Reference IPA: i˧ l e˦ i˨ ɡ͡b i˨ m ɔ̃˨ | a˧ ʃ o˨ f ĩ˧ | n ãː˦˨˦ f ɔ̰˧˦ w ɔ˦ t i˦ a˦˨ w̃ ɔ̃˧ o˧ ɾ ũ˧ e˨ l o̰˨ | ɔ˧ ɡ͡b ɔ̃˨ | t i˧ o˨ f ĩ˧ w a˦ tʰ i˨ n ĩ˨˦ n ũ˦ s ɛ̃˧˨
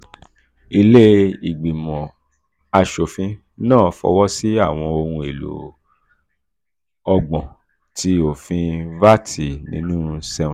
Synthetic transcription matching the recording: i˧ l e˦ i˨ ɡ͡b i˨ m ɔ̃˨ | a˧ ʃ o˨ f ĩ˧ | n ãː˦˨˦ f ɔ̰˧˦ w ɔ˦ s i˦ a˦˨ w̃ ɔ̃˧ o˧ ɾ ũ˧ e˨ l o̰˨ | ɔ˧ ɡ͡b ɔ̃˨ | t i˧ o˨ f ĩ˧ v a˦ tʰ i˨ n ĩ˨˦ n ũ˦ s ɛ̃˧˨